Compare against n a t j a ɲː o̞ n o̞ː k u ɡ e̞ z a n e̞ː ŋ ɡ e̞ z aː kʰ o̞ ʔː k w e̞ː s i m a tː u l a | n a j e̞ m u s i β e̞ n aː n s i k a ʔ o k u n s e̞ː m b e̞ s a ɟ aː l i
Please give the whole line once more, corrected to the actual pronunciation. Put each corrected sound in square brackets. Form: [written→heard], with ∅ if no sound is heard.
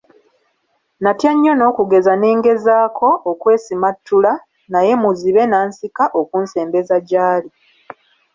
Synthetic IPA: n a t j a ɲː o̞ n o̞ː k u ɡ e̞ z a n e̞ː ŋ ɡ e̞ z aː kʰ o̞ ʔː k w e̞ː s i m a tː u l a | n a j e̞ m u [s→z] i β e̞ n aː n s i k a ʔ o k u n s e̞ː m b e̞ [s→z] a ɟ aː l i